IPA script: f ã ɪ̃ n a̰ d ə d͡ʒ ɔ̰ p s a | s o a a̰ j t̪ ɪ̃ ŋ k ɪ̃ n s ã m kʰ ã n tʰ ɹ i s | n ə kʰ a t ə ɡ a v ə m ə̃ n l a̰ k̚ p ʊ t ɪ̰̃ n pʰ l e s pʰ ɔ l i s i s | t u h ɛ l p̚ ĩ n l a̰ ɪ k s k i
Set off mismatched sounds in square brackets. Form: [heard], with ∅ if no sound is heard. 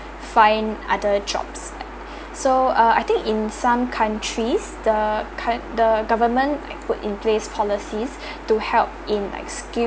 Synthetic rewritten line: f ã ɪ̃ n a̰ d ə d͡ʒ ɔ̰ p s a | s o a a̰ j t̪ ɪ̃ ŋ k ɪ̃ n s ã m kʰ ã n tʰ ɹ i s | [d] ə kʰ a [d] ə ɡ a v ə m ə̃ n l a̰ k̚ p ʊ t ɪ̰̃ n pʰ l e s pʰ ɔ l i s i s | t u h ɛ l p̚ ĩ n l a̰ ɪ k s k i